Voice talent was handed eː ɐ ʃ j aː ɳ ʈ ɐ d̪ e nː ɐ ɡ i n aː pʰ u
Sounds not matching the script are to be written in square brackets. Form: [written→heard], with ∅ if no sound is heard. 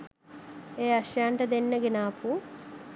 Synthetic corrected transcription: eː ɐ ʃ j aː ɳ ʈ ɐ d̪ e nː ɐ ɡ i n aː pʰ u